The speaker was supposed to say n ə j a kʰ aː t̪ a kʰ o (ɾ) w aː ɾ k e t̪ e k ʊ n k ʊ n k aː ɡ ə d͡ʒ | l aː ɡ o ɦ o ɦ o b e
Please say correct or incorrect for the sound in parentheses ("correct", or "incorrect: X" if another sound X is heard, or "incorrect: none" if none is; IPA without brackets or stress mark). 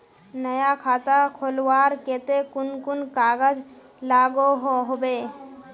incorrect: l